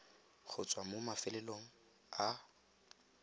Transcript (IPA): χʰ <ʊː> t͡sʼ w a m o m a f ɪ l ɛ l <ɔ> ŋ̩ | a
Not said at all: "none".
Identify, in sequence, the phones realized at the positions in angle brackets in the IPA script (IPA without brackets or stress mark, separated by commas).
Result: ʊ, o